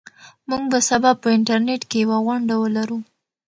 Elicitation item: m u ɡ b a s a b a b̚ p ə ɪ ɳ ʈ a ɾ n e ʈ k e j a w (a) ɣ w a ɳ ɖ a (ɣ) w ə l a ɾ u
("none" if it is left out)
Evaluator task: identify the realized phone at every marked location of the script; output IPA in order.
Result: a, none

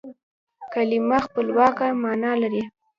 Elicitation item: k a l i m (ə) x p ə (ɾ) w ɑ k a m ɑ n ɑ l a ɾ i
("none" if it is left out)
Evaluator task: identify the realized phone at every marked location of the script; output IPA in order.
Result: a, l

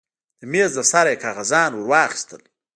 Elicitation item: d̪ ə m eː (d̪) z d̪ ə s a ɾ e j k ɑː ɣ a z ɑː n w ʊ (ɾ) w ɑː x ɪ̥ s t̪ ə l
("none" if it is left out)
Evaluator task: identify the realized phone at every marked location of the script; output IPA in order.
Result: none, ɾ

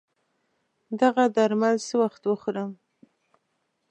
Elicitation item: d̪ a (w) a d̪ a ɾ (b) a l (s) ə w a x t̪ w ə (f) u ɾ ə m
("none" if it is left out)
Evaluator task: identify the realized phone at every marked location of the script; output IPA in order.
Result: ɣ, m, s, x

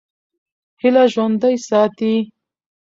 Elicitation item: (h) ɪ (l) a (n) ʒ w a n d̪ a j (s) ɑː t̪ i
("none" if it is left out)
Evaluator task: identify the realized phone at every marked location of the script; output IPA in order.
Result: h, l, none, s

